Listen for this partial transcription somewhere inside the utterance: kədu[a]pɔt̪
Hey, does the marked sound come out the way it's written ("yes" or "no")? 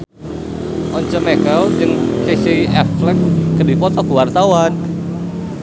no